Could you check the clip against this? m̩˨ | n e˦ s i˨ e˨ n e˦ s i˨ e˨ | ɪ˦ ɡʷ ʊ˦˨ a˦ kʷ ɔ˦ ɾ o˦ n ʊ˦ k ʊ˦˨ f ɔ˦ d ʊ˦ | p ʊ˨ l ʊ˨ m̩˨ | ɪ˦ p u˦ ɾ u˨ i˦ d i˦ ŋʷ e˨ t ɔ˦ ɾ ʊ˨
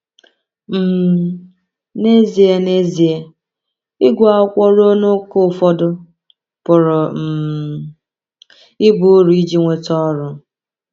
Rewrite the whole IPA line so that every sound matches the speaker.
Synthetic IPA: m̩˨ | n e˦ z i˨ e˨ n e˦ z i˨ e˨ | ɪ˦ ɡʷ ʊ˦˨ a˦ kʷ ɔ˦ ɾ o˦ n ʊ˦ k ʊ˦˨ f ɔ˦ d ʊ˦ | p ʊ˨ ɾ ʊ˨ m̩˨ | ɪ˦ b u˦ ɾ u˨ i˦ d͡ʒ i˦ ŋʷ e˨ t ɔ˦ ɾ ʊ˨